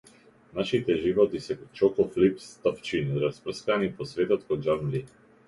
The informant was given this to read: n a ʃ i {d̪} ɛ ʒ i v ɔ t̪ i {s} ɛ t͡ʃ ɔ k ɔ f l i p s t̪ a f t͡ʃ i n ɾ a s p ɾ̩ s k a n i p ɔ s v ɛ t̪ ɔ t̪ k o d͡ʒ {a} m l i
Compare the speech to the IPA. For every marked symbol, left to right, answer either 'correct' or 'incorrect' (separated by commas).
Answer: incorrect, correct, correct